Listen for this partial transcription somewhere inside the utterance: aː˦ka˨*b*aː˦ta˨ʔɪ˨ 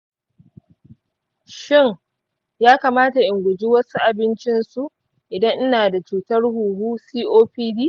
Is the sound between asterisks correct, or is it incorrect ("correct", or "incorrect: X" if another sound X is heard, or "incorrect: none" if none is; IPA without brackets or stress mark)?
incorrect: m